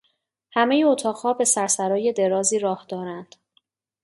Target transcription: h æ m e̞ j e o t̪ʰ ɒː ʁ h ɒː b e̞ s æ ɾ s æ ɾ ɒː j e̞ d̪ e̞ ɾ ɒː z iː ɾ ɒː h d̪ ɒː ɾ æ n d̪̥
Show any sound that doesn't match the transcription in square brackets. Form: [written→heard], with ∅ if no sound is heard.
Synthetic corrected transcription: h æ m e̞ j e o t̪ʰ ɒː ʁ h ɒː b e̞ s æ ɾ s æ ɾ ɒː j e̞ d̪ e̞ ɾ ɒː z iː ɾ ɒː h d̪ ɒː ɾ æ n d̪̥